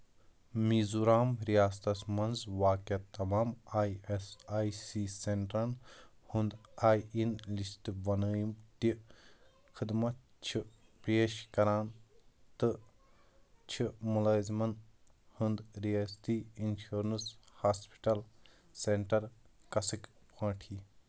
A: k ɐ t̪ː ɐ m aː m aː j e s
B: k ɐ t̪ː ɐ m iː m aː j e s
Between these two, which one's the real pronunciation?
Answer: A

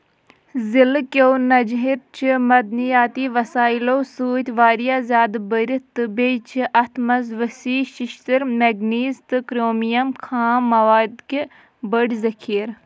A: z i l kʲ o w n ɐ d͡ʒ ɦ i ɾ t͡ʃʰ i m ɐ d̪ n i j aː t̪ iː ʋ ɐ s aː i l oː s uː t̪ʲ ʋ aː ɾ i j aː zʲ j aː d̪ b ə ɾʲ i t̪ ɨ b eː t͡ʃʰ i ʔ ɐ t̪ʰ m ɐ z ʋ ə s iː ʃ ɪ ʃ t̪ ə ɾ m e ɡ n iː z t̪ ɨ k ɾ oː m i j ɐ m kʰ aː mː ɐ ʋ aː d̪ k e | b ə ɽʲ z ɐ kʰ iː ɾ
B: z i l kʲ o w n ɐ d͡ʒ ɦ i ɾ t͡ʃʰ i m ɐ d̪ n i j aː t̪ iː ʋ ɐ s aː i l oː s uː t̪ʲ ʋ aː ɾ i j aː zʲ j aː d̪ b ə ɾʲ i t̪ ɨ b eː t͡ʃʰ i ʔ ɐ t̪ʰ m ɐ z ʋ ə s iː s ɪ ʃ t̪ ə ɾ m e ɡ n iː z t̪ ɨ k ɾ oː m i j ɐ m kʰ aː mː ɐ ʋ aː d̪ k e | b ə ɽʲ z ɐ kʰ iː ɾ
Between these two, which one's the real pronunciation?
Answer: A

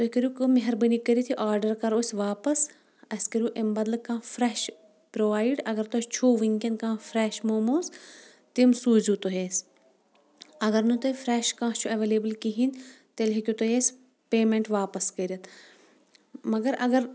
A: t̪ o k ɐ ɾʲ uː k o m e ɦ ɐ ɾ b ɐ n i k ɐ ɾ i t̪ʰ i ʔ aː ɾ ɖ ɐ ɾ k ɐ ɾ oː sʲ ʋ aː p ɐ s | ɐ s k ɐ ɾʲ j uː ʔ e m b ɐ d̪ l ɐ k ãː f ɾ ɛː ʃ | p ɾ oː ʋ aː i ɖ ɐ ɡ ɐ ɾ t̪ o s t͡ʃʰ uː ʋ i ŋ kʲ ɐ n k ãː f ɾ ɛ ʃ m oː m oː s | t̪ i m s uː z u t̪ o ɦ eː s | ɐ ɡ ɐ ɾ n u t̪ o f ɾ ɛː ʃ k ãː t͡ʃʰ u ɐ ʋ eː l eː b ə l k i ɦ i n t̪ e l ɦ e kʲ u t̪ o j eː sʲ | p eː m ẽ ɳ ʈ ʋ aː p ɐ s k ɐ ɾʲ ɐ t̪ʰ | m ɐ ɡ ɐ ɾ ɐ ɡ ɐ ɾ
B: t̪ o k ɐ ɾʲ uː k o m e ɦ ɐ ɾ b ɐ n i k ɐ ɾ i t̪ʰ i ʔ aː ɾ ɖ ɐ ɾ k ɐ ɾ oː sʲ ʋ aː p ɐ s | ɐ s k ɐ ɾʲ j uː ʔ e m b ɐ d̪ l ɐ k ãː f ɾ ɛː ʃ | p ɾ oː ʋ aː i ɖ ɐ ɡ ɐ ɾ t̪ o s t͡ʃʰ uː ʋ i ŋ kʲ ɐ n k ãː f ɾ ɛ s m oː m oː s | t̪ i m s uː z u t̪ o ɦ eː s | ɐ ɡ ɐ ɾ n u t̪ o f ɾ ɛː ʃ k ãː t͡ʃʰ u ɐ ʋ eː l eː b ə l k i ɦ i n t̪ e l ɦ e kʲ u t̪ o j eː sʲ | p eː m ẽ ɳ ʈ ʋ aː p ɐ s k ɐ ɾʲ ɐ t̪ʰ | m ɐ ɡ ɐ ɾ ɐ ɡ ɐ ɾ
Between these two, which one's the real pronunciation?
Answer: A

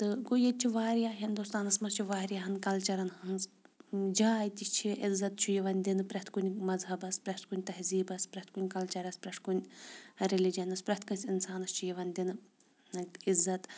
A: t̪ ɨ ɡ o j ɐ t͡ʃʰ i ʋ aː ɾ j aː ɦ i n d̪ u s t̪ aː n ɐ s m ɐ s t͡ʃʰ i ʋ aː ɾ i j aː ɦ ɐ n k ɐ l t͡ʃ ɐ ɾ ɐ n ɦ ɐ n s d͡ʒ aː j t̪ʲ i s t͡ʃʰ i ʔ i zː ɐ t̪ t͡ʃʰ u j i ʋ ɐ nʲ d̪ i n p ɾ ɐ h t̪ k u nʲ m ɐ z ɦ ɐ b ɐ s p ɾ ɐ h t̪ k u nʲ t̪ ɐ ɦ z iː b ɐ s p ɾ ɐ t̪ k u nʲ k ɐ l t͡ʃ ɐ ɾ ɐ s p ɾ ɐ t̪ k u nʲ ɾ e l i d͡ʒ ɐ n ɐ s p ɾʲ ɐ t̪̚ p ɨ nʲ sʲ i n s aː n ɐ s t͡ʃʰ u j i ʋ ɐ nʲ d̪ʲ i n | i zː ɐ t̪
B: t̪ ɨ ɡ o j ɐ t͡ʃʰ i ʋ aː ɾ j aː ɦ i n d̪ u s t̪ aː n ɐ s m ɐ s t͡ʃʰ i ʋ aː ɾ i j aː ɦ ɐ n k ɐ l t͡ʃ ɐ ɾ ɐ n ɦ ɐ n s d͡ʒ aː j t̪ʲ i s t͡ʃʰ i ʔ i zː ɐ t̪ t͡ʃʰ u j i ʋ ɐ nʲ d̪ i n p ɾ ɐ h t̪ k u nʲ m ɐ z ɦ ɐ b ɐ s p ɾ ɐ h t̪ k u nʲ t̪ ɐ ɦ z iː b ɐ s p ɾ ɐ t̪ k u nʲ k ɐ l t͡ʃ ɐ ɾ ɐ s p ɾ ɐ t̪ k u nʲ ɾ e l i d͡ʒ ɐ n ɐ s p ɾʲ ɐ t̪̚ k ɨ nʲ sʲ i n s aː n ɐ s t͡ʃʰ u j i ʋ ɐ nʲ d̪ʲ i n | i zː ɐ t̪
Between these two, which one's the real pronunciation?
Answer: B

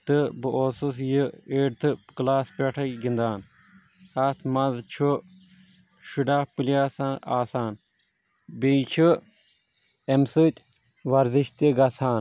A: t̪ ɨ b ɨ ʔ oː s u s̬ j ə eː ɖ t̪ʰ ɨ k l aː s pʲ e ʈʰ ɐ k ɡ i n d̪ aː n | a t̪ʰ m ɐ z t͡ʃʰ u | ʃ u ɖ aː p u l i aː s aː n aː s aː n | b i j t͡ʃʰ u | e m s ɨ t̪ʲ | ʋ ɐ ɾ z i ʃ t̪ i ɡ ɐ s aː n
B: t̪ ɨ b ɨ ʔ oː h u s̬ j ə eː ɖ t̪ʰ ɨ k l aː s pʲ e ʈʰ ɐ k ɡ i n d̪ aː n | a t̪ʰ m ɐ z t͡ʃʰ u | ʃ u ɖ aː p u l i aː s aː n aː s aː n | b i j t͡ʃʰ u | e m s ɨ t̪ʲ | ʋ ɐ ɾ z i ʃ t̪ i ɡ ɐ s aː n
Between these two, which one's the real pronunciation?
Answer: A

